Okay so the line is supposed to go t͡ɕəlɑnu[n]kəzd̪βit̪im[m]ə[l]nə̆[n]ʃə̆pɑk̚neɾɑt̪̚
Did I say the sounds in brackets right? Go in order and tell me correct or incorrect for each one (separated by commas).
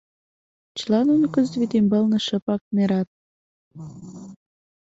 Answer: correct, incorrect, correct, incorrect